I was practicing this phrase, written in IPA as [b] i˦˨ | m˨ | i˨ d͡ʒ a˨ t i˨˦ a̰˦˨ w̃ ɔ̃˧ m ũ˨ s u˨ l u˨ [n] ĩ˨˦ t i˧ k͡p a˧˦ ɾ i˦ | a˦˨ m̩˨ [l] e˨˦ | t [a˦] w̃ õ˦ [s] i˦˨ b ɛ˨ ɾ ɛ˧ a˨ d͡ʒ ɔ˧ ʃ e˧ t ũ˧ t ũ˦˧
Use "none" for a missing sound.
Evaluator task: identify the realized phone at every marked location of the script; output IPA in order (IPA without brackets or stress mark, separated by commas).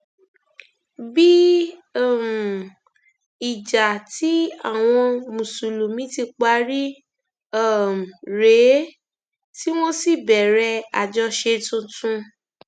b, m, ɾ, i˦, s